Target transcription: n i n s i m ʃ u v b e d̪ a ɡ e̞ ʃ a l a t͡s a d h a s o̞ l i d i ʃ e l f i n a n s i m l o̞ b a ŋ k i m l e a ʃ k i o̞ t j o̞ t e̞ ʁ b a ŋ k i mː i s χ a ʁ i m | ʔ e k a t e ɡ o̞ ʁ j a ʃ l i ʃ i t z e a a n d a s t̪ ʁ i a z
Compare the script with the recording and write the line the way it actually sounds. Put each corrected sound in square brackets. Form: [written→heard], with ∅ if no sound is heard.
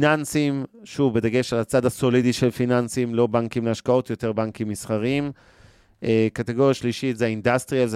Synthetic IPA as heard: n [i→a] n s i m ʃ u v b e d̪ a ɡ e̞ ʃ a l a t͡s a d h a s o̞ l i d i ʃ e l f i n a n s i m l o̞ b a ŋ k i m l e a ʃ k [i→a] o̞ t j o̞ t e̞ ʁ b a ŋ k i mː i s χ a ʁ i m | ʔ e k a t e ɡ o̞ ʁ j a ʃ l i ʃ i t z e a [a→i] n d a s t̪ ʁ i a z